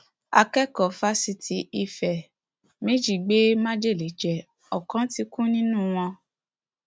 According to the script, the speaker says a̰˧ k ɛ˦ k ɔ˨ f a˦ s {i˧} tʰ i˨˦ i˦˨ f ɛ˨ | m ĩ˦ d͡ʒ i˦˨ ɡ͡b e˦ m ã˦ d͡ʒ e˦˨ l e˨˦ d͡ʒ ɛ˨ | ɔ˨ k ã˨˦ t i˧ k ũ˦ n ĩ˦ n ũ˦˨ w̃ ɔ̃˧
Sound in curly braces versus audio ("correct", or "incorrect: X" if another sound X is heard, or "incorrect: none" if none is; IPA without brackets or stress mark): correct